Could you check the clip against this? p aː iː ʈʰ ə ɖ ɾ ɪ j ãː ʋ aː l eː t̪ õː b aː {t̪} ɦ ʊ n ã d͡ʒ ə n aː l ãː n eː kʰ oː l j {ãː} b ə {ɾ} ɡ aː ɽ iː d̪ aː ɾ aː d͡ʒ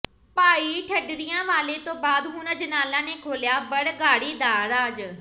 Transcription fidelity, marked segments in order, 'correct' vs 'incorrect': incorrect: d̪, incorrect: aː, incorrect: ɽ

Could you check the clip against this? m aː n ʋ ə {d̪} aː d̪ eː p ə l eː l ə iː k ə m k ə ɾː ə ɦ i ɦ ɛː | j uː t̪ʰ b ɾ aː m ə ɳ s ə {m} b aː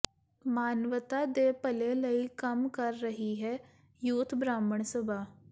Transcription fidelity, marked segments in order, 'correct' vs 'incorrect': incorrect: t̪, incorrect: none

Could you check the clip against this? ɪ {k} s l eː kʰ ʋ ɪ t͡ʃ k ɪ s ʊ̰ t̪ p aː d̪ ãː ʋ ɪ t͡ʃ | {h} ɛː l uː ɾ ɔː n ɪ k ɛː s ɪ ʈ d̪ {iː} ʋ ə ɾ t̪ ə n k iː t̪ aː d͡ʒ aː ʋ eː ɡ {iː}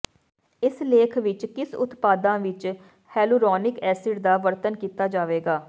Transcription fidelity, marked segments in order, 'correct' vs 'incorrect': incorrect: none, correct, incorrect: aː, incorrect: aː

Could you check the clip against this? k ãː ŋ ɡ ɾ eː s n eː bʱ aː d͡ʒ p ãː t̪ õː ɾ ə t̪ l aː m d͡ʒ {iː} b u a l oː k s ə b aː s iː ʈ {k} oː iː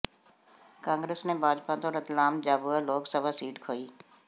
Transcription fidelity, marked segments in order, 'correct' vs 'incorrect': incorrect: aː, incorrect: kʰ

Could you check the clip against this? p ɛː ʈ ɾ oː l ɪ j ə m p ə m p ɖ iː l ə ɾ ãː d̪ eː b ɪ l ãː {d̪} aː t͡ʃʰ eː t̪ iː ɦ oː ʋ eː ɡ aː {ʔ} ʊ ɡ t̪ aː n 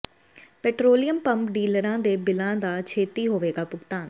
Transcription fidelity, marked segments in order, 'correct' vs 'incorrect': correct, incorrect: p

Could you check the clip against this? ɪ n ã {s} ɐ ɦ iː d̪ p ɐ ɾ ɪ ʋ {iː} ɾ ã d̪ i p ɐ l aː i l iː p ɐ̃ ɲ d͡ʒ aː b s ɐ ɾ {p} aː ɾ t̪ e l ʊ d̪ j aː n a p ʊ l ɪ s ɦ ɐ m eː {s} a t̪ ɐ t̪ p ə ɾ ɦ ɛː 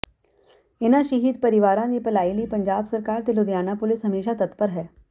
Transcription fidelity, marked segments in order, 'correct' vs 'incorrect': incorrect: ʃ, incorrect: aː, incorrect: k, incorrect: ʃ

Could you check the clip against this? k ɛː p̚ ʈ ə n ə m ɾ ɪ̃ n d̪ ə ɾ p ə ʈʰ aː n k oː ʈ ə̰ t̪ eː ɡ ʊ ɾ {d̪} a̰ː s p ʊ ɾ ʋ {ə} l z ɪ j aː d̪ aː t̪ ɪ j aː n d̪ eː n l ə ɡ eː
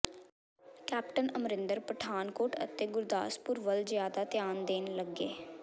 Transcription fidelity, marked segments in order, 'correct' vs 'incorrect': correct, correct

